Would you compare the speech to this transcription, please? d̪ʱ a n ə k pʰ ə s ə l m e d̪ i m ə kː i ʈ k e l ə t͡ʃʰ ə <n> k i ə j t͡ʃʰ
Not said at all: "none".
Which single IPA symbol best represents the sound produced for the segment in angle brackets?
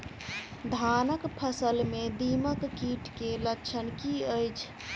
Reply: n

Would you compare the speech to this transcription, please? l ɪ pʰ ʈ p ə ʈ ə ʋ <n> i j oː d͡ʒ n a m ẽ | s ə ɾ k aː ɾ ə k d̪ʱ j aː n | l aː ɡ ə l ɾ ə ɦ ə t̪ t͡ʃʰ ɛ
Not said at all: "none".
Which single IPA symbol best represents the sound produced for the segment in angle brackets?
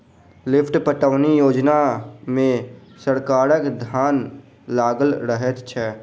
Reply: n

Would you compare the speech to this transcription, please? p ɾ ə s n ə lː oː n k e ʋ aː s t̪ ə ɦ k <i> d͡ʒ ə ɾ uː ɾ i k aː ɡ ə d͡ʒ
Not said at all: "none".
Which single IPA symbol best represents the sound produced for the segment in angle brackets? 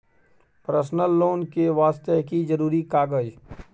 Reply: i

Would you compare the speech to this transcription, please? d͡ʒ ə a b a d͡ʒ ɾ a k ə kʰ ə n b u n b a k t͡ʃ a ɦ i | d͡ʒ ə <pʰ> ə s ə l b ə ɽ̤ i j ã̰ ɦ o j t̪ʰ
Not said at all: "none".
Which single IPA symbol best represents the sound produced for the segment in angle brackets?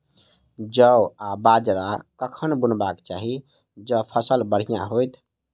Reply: pʰ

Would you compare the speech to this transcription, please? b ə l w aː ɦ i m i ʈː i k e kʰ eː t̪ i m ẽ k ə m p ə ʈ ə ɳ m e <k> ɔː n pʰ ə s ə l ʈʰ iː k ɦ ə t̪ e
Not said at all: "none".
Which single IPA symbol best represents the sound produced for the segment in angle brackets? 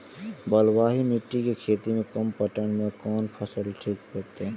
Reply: k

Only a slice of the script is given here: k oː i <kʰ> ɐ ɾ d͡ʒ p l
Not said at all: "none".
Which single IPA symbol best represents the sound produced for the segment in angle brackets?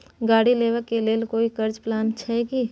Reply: k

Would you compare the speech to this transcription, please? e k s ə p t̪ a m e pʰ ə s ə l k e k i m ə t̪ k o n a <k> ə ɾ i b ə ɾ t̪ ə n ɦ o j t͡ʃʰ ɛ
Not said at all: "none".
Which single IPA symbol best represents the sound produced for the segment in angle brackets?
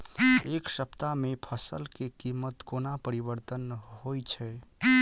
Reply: p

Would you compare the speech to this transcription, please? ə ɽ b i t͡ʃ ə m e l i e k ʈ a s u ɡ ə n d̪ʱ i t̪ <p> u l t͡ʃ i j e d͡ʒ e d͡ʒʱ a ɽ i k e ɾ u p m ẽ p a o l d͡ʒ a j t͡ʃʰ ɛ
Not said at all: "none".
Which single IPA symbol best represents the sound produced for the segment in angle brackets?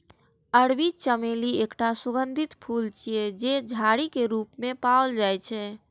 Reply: pʰ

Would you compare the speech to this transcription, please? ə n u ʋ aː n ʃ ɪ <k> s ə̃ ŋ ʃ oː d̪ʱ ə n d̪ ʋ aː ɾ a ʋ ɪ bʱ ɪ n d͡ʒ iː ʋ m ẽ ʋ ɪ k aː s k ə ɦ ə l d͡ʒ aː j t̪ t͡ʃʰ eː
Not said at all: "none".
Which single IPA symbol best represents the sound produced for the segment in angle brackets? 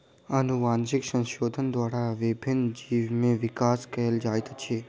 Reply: k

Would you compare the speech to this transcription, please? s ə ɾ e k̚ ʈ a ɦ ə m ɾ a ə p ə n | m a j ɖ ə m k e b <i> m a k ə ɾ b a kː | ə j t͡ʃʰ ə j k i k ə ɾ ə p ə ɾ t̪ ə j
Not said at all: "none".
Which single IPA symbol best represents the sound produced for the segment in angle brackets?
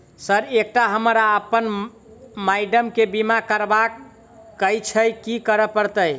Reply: i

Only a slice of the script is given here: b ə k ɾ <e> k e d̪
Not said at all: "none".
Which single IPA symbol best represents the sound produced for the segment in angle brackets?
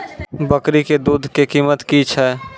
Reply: i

